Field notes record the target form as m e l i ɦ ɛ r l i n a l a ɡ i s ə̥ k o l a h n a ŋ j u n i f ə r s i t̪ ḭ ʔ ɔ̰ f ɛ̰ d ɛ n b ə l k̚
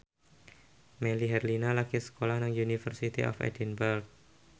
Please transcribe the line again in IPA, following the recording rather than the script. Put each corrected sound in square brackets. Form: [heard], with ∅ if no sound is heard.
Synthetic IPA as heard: m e l i ɦ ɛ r l i n a l a [k] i s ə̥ k o l a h n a ŋ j u n i f ə r s i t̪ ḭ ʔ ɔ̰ f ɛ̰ d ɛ n b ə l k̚